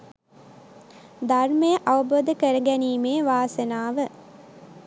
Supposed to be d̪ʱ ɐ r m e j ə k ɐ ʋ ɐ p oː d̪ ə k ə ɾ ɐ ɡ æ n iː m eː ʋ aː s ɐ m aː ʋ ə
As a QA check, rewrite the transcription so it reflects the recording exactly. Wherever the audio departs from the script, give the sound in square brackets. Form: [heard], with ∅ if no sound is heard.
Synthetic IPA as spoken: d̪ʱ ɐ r m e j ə [ʔ] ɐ ʋ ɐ [b] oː d̪ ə k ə ɾ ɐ ɡ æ n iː m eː ʋ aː s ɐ [n] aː ʋ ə